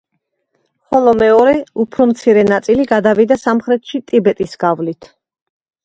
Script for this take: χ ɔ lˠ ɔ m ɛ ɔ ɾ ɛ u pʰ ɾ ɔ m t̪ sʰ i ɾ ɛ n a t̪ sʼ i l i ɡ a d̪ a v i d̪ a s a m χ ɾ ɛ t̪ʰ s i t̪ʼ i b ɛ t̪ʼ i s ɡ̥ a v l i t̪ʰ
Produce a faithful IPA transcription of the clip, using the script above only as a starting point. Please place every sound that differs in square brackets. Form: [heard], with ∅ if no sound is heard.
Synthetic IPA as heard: χ ɔ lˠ ɔ m ɛ ɔ ɾ ɛ u pʰ ɾ ɔ m t̪ sʰ i ɾ ɛ n a t̪ sʼ i l i ɡ a d̪ a v i d̪ a s a m χ ɾ ɛ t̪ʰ [ʃ] i t̪ʼ i b ɛ t̪ʼ i s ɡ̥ a v l i t̪ʰ